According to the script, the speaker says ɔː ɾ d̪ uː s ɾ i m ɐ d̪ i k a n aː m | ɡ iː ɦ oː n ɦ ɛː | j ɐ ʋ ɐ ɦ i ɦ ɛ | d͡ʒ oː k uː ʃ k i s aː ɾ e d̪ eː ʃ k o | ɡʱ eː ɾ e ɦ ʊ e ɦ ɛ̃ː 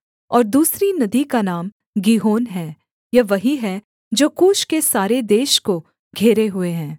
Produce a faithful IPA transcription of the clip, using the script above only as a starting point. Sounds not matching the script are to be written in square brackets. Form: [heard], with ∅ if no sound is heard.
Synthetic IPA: ɔː ɾ d̪ uː s ɾ i [n] ɐ d̪ i k a n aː m | ɡ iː ɦ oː n ɦ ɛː | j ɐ ʋ ɐ ɦ i ɦ ɛ | d͡ʒ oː k uː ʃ k [e] s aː ɾ e d̪ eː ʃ k o | ɡʱ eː ɾ e ɦ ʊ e ɦ ɛ̃ː